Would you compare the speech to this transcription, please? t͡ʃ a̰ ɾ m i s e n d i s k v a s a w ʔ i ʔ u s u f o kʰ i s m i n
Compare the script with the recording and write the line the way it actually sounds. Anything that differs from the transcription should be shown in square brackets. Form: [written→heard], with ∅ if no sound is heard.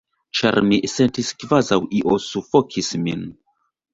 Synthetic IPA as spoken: t͡ʃ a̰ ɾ m i s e n [d→t] i s k v a [s→z] a w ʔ i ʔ [u→o] s u f o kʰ i s m i n